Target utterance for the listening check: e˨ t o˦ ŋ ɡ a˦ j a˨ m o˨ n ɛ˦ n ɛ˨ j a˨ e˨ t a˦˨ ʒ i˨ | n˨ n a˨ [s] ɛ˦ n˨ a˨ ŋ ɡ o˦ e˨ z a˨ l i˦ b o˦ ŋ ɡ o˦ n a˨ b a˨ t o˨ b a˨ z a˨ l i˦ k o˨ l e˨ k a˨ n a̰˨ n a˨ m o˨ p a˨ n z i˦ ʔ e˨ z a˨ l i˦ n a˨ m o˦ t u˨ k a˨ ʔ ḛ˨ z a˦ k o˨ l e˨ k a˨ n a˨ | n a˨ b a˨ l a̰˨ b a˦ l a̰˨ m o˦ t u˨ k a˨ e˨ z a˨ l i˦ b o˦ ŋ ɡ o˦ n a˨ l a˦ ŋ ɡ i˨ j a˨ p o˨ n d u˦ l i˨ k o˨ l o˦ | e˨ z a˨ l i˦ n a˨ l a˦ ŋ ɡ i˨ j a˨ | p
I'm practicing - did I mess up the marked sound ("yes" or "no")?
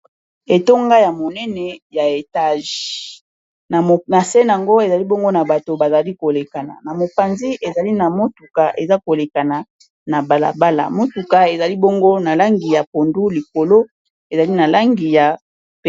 no